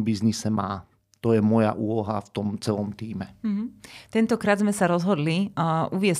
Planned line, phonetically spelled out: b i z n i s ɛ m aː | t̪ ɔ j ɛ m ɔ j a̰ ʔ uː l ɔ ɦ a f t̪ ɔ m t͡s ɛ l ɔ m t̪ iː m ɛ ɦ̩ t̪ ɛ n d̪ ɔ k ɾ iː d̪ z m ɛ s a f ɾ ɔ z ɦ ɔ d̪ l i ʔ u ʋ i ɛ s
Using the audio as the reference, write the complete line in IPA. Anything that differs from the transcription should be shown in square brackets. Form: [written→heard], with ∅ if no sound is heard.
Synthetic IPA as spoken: b i z n i s ɛ m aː | t̪ ɔ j ɛ m ɔ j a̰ ʔ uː l ɔ ɦ a f t̪ ɔ m t͡s ɛ l ɔ m t̪ iː m ɛ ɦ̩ t̪ ɛ n [d̪→t̪] ɔ k ɾ [iː→aː] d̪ z m ɛ s a [f→∅] ɾ ɔ z ɦ ɔ d̪ l i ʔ u ʋ [i→ɪ] ɛ s